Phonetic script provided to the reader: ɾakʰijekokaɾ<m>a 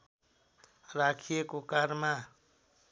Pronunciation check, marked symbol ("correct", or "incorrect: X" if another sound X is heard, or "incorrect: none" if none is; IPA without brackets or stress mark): correct